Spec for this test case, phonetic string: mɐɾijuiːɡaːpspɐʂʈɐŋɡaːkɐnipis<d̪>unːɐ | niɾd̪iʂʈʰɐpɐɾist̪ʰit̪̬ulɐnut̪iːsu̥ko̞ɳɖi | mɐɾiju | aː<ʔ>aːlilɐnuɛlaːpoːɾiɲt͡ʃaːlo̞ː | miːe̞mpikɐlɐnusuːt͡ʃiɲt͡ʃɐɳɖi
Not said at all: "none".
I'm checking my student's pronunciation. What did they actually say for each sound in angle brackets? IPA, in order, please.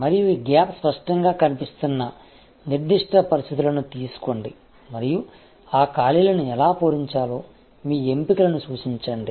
t̪, k

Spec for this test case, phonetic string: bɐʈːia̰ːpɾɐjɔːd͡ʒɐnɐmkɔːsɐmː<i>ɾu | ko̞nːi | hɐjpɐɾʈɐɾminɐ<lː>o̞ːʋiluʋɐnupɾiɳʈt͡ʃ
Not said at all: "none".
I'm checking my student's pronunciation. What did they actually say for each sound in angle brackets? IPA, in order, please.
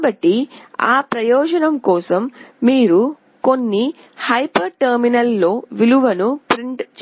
iː, lː

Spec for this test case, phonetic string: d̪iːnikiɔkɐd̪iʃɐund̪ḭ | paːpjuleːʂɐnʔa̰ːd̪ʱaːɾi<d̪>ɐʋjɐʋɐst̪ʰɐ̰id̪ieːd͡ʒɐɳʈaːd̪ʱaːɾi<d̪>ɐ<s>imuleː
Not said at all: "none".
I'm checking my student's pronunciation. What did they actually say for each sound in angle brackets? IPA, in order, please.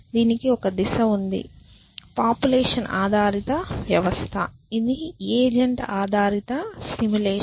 t̪, t̪, s

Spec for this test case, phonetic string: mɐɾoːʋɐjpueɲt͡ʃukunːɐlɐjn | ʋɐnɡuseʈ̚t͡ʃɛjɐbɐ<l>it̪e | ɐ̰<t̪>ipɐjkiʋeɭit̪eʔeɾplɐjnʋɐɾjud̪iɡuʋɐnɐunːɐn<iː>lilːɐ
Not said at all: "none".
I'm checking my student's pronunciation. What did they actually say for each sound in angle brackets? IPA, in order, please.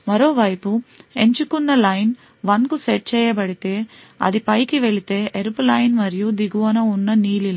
ɽ, d̪, iː

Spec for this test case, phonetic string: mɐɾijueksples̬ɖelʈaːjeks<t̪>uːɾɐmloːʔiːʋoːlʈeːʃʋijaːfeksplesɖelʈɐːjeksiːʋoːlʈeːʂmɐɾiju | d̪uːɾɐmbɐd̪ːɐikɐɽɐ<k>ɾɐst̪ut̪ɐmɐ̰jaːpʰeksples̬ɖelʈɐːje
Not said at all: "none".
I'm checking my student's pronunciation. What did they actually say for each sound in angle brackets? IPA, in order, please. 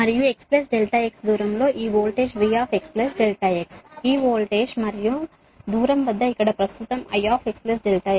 d̪, p

